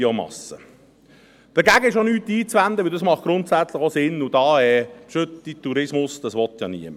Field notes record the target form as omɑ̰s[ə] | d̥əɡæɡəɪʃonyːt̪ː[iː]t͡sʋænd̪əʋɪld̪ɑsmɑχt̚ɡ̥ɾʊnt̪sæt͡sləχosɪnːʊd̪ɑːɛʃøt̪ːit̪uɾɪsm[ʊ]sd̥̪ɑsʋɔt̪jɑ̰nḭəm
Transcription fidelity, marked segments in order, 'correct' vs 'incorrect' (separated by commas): correct, correct, correct